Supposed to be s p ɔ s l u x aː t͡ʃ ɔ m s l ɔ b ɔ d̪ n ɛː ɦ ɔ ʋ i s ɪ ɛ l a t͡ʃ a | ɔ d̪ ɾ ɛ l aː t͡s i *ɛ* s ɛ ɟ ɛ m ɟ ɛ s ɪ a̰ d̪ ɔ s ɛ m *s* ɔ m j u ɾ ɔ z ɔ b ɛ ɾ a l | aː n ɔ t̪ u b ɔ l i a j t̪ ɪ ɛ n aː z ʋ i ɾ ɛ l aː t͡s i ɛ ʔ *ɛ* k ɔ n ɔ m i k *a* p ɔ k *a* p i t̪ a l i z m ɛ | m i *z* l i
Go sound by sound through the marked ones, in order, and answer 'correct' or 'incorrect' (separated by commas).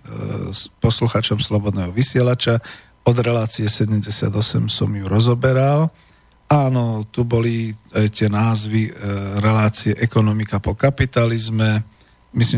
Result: correct, correct, correct, correct, correct, incorrect